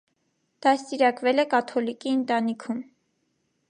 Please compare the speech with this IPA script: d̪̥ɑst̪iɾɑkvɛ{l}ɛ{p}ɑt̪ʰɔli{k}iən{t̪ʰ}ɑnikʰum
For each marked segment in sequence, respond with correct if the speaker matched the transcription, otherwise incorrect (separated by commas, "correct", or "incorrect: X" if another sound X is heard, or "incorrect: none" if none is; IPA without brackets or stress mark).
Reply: correct, incorrect: k, correct, incorrect: t̪